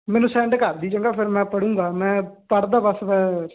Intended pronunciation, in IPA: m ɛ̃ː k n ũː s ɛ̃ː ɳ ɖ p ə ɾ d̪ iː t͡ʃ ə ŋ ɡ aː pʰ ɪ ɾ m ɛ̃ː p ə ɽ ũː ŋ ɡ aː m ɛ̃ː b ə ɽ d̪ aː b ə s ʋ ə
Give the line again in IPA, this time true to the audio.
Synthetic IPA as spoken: m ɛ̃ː n ũː s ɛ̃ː ɳ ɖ k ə ɾ d̪ iː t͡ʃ ə ŋ ɡ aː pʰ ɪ ɾ m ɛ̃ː p ə ɽ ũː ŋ ɡ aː m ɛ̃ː p ə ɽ d̪ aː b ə s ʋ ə